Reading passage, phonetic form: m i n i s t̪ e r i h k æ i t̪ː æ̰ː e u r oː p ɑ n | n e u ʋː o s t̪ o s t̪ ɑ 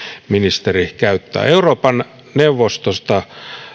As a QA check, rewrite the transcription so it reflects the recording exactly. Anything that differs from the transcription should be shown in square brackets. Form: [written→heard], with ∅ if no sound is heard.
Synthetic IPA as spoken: m i n i s t̪ e r i h k æ [i→y] t̪ː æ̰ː e u r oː p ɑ n | n e u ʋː o s t̪ o s t̪ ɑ